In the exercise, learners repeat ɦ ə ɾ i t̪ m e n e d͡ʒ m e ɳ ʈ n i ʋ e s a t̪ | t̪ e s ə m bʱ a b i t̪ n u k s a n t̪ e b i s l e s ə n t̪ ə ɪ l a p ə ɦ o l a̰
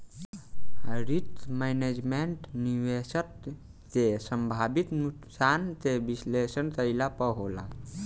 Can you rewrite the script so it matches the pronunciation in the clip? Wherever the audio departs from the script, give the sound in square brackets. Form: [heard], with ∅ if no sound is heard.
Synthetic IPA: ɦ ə ɾ i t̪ m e n e d͡ʒ m e ɳ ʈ n i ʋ e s [ə] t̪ | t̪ e s ə m bʱ a b i t̪ n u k s a n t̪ e b i s l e s ə n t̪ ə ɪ l a p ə ɦ o l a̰